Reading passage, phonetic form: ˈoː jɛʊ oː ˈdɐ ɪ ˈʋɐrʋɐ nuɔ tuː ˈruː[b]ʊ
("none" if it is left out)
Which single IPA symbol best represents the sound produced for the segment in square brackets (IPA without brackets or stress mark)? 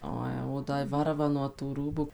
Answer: b